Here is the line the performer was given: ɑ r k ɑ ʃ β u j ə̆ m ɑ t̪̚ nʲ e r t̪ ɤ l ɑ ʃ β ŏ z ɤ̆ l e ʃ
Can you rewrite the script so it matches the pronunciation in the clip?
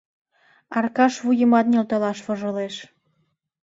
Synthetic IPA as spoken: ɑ r k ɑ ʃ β u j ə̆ m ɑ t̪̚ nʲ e l t̪ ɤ l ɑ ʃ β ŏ ʒ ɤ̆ l e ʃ